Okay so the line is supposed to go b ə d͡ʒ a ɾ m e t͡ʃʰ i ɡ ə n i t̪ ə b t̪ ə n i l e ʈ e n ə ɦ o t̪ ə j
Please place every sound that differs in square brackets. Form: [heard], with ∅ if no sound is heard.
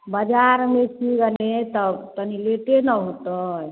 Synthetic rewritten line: b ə d͡ʒ a ɾ m e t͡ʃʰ i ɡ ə n [e] t̪ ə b t̪ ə n i l e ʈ e n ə ɦ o t̪ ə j